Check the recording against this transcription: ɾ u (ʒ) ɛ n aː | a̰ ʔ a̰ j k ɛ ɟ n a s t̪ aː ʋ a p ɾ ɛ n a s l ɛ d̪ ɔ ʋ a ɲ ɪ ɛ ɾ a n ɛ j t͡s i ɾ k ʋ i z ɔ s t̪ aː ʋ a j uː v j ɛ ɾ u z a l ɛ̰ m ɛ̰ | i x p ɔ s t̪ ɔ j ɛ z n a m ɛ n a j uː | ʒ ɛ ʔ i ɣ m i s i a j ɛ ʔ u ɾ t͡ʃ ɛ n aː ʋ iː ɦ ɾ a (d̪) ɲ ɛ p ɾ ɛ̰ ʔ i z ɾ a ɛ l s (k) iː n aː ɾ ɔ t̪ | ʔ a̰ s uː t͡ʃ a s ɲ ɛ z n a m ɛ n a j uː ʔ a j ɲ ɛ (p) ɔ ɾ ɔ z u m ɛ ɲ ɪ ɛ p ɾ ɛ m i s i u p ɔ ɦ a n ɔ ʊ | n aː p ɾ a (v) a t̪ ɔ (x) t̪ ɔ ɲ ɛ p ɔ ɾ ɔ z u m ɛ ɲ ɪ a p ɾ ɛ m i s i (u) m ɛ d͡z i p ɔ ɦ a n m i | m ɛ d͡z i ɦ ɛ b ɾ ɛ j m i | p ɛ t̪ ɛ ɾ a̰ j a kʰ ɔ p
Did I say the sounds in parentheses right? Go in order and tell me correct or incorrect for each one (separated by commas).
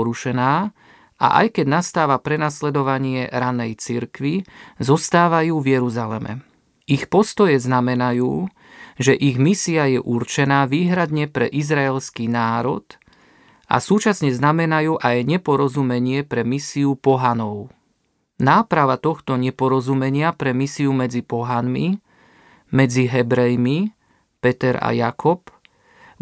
incorrect, correct, correct, correct, incorrect, correct, correct